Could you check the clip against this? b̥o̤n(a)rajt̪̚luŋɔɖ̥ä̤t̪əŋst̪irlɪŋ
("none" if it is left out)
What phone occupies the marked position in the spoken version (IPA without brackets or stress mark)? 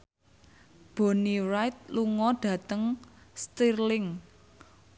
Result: i